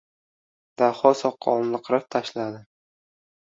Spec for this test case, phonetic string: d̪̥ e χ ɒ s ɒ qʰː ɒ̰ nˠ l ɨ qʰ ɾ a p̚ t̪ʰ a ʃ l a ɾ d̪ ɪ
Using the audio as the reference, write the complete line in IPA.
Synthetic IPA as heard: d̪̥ a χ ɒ s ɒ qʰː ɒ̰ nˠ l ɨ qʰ ɾ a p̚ t̪ʰ a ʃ l a d̪ ɪ